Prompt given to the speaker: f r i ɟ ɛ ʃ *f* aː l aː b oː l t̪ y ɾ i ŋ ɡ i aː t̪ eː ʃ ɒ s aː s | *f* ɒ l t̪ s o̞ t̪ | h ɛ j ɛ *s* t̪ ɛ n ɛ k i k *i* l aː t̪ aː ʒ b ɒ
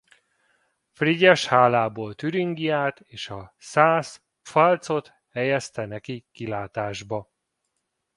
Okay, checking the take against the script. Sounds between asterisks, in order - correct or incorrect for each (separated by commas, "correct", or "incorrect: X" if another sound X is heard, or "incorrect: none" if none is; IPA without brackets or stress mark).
incorrect: h, correct, correct, correct